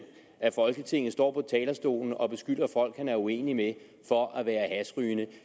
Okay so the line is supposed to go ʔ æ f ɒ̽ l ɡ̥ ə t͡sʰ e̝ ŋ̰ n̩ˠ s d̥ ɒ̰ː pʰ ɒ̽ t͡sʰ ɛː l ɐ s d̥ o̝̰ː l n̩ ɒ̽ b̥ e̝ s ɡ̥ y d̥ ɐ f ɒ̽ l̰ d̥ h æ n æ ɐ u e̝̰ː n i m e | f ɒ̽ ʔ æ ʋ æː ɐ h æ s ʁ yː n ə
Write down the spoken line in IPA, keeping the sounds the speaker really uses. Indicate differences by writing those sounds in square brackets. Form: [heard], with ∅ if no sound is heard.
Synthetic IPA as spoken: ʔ æ f ɒ̽ l ɡ̥ ə t͡sʰ e̝ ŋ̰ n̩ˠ s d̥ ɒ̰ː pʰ ɒ̽ t͡sʰ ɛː l ɐ s d̥ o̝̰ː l n̩ ɒ̽ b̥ e̝ s ɡ̥ y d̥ ɐ f ɒ̽ l̰ [ɡ̥] h æ n æ ɐ u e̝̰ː n i m e | f ɒ̽ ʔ æ ʋ æː ɐ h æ s ʁ yː n ə